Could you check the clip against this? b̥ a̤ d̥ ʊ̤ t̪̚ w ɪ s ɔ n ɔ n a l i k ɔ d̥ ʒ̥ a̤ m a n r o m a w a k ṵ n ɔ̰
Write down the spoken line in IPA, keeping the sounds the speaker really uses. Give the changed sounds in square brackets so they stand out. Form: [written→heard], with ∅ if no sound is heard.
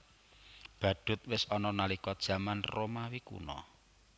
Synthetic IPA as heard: b̥ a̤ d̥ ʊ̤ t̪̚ w ɪ s ɔ n ɔ n a l i k ɔ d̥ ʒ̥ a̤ m a n r o m a w [a→i] k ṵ n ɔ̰